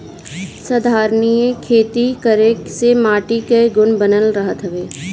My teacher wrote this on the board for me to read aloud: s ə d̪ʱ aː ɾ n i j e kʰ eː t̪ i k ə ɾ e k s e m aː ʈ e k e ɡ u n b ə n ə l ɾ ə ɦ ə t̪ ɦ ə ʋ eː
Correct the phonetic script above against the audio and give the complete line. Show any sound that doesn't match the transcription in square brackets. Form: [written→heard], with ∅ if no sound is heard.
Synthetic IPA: s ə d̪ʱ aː ɾ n i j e kʰ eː t̪ i k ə ɾ e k s e m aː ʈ [e→i] k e ɡ [u→ʊ] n b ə n ə l ɾ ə ɦ ə t̪ ɦ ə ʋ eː